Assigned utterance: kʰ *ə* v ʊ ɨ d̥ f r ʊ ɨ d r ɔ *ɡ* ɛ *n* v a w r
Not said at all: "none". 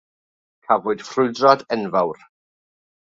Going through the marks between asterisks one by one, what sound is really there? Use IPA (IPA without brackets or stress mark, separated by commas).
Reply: a, d, n